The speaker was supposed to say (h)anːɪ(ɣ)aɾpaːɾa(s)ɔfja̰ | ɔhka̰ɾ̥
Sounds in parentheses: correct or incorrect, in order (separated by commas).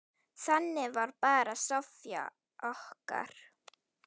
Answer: incorrect, incorrect, correct